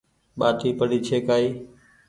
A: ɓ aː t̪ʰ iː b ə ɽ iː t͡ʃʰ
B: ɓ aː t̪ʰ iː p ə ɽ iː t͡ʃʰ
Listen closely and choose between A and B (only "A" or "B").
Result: B